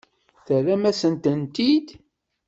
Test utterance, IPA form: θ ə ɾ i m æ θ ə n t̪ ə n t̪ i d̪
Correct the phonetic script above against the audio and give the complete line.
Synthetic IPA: θ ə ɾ æ m æ s ə n t̪ ə n t̪ i d̪